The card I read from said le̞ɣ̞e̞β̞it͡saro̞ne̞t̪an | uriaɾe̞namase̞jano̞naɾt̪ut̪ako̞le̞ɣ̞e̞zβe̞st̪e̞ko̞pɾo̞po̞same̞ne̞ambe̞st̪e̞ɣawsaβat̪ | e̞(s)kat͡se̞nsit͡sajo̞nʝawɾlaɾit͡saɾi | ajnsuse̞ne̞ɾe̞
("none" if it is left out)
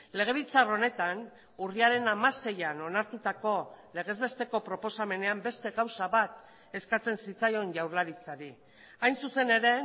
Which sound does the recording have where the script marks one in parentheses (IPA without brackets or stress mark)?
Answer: s